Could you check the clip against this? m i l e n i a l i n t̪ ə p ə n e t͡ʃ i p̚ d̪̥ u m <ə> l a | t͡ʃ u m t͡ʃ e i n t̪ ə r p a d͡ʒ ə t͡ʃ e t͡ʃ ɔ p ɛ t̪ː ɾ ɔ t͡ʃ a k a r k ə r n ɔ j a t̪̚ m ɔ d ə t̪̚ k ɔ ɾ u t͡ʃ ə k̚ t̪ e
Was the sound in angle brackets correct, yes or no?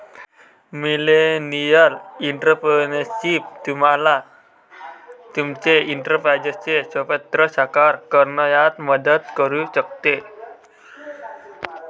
no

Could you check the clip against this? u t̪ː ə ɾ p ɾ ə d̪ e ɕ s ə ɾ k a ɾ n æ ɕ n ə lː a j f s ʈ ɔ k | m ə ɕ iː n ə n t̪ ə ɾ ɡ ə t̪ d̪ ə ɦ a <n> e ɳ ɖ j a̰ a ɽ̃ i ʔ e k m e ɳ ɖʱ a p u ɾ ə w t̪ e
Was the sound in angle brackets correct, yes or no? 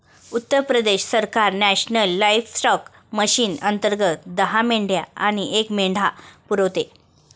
no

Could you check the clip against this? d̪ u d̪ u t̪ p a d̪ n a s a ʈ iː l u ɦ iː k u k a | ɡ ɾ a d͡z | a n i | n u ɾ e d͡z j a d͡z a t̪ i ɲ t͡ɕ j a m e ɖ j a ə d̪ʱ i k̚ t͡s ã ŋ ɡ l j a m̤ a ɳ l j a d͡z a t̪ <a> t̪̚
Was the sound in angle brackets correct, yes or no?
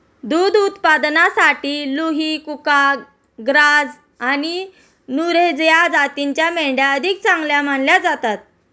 yes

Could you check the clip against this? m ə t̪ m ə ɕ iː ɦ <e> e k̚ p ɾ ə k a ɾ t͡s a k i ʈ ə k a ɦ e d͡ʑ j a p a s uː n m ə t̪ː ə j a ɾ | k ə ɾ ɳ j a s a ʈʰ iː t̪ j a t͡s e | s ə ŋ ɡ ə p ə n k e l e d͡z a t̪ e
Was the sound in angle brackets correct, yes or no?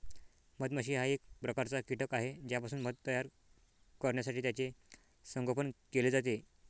no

